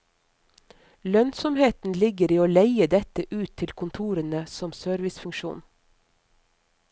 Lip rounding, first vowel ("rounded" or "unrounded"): rounded